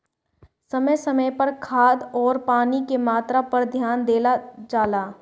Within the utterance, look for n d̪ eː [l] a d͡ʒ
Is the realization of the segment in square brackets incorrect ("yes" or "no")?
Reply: no